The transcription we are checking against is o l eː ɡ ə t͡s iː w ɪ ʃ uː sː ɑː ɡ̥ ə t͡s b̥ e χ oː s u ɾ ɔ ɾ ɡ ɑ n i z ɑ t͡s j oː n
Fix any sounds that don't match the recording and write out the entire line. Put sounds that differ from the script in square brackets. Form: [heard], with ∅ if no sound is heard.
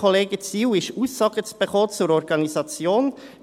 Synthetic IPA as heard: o l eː ɡ ə t͡s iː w ɪ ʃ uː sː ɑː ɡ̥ ə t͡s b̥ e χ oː [t͡s] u ɾ ɔ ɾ ɡ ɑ n i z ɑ t͡s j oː n